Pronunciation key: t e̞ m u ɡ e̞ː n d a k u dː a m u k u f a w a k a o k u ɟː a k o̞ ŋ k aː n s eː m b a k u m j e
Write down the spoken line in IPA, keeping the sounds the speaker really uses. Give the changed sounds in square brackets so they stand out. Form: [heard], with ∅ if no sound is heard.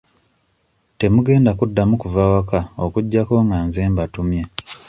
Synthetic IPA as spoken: t e̞ m u ɡ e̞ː n d a k u dː a m u k u [v] a w a k a o k u ɟː a k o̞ ŋ [ɡ] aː n [z] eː m b a [t] u m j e